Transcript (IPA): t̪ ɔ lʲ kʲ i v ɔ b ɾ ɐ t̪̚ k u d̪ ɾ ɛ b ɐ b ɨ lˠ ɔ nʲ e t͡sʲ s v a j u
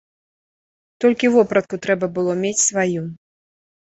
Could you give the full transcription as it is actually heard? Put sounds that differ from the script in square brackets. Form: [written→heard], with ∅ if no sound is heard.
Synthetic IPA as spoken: t̪ ɔ lʲ kʲ i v ɔ [b→p] ɾ ɐ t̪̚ k u [d̪→t̪] ɾ ɛ b ɐ b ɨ lˠ ɔ [nʲ→mʲ] e t͡sʲ s v a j u